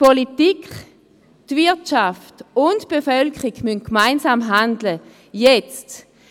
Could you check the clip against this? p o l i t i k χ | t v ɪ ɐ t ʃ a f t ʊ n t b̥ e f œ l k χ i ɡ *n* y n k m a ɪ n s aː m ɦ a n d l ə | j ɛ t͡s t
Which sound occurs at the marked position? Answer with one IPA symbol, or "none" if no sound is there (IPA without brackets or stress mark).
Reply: m